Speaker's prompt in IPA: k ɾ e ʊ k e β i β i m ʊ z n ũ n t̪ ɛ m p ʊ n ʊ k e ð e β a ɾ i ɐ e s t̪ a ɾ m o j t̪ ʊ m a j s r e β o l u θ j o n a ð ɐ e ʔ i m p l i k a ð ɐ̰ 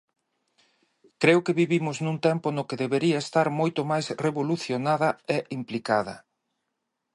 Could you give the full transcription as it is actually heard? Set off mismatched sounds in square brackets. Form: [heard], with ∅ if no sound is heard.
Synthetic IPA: k ɾ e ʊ k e β i β i m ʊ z n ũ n t̪ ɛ m p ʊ n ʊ k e ð e β [e] ɾ i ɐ e s t̪ a ɾ m o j t̪ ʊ m a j s r e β o l u θ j o n a ð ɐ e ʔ i m p l i k a ð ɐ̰